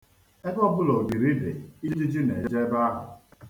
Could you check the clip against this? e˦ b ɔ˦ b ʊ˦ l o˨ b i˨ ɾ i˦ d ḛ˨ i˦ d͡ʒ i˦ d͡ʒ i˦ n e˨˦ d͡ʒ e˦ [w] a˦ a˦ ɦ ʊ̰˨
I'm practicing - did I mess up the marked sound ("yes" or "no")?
yes